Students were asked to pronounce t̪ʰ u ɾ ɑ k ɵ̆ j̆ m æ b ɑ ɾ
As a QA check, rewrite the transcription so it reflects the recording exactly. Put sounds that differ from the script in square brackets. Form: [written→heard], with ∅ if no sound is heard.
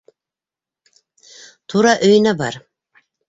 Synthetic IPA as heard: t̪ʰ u ɾ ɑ [k→ʔ] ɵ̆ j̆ [m→n] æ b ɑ ɾ